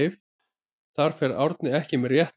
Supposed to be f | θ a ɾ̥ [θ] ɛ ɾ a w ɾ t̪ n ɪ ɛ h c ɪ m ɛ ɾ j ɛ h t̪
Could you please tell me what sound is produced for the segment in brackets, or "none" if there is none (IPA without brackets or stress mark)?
f